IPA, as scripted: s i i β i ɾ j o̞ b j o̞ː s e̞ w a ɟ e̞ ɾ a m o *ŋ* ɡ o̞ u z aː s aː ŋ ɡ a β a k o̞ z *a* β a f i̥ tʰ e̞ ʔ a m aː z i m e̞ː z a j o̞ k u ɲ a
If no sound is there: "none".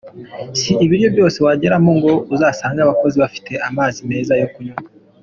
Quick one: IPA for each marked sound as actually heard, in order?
ŋ, i

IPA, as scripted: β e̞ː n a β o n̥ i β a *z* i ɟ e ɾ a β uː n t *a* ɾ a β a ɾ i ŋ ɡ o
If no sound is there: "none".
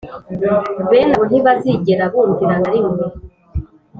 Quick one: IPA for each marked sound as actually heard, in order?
z, i

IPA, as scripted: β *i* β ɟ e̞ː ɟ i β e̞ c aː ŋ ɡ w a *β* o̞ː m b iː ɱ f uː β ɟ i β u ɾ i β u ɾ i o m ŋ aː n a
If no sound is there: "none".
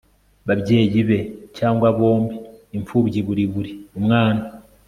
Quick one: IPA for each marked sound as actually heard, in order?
a, β

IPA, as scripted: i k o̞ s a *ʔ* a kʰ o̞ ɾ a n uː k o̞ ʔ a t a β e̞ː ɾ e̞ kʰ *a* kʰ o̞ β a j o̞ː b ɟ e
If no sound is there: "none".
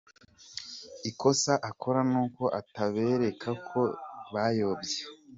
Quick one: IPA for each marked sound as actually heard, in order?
ʔ, a

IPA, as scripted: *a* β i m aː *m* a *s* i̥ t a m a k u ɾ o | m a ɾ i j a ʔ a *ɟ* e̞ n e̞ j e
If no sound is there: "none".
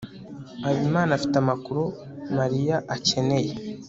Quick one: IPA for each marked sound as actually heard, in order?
a, n, f, c

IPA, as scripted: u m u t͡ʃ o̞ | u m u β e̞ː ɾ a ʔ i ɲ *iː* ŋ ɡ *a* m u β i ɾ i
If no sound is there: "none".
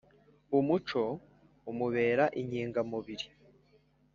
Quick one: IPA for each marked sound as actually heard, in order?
iː, a

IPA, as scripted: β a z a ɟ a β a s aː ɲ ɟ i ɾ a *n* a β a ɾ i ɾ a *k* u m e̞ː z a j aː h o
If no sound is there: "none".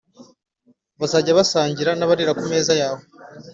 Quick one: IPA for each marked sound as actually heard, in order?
n, k

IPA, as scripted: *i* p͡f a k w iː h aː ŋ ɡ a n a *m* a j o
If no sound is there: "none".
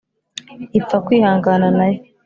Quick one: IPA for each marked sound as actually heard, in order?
i, n

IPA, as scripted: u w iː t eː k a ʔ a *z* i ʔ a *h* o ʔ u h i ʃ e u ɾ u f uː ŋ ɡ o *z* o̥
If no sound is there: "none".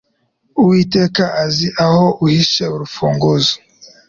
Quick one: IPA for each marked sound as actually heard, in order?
z, h, z

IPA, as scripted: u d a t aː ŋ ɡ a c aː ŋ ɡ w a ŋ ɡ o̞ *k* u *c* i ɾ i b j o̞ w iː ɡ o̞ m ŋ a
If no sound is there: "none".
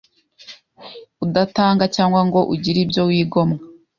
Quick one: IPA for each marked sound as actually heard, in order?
ʔ, ɟ

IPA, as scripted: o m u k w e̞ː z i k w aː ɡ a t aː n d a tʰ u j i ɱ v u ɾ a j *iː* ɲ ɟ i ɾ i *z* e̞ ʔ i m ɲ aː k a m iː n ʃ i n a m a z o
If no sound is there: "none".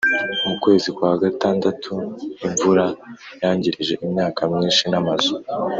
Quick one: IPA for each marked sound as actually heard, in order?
aː, ʒ

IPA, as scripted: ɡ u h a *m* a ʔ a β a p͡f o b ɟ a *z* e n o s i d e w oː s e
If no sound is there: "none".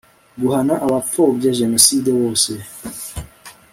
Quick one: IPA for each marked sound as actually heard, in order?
n, ʒ

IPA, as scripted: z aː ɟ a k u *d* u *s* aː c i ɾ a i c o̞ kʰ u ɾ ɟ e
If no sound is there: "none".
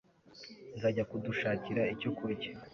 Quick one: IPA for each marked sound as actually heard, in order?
d, ʃ

